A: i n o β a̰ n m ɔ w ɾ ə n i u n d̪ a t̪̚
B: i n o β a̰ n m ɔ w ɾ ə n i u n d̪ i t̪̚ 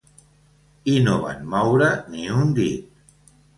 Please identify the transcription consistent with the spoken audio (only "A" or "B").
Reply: B